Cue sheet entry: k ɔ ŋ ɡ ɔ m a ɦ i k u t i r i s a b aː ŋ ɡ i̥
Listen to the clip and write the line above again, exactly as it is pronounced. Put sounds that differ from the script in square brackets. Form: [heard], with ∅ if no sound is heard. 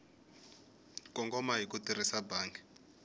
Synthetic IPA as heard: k ɔ ŋ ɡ ɔ m a ɦ i k u t i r i s a b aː ŋ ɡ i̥